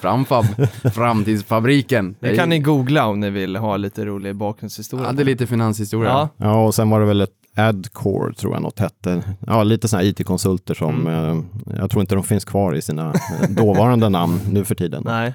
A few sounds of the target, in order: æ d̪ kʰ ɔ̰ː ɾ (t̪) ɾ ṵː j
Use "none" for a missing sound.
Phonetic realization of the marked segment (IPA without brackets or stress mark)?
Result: t̪ʰ